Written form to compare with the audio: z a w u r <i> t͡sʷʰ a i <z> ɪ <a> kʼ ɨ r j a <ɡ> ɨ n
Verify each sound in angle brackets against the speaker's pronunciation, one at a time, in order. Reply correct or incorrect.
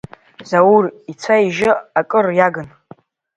correct, incorrect, correct, correct

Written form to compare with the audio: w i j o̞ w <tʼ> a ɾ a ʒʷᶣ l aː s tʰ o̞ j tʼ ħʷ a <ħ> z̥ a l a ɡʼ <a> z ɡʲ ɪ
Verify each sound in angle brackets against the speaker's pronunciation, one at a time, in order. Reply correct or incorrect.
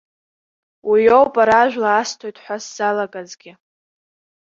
incorrect, incorrect, correct

